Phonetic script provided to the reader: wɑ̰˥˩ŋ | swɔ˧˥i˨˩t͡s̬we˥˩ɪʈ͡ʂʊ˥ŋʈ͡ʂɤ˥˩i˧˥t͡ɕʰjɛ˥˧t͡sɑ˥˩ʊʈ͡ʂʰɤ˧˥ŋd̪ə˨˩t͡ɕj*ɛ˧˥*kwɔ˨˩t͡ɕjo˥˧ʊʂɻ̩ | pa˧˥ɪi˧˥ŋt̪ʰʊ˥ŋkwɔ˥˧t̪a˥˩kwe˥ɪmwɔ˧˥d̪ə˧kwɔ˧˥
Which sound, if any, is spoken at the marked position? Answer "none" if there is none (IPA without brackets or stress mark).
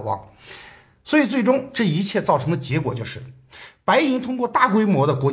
ɛ˧˥